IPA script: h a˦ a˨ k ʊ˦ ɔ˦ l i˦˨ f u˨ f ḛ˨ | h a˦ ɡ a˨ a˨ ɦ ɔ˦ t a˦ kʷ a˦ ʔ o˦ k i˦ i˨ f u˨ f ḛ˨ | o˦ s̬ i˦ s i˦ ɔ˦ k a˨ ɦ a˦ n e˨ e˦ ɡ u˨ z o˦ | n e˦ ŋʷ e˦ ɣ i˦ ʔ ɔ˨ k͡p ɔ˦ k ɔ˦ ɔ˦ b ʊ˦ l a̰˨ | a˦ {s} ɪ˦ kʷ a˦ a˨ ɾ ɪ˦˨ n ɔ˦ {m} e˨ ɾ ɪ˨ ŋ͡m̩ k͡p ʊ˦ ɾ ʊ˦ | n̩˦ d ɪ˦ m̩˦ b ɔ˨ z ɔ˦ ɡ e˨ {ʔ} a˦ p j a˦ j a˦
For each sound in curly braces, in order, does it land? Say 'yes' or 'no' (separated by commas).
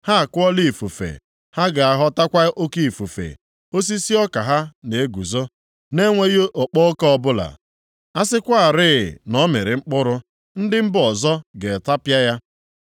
yes, yes, no